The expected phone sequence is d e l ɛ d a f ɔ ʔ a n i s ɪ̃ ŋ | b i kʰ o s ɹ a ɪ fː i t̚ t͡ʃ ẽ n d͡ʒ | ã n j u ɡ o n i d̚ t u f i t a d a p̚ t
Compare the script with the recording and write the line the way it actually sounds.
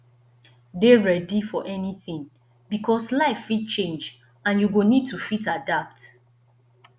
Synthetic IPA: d e ɹ ɛ d i f ɔ ʔ ɛ n i θ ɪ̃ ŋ | b i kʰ ɔ s l a ɪ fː i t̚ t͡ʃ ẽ n d͡ʒ | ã n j u ɡ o n i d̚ t u f i t a d a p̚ t